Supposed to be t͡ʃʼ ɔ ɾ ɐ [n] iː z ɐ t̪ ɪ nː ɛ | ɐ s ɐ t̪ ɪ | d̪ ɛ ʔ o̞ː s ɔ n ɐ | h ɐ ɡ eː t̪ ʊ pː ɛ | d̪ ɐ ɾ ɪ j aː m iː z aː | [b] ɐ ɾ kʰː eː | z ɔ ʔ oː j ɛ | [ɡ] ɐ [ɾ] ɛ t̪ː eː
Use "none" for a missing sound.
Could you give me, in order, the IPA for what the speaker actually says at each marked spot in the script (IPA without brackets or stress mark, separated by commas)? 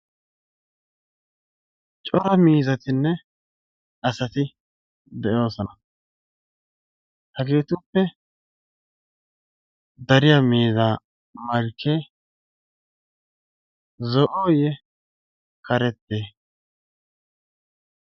m, m, k, ɾ